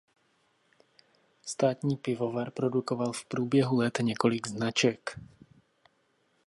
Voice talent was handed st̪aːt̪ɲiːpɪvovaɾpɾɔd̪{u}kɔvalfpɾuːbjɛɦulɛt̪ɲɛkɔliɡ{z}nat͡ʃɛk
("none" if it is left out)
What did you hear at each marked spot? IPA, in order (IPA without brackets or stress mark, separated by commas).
u, z